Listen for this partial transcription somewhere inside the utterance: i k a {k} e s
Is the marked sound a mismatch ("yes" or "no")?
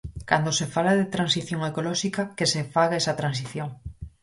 no